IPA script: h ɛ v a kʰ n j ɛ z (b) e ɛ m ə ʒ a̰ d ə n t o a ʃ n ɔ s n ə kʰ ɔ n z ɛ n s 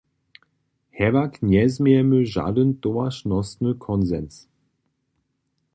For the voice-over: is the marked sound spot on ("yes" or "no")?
no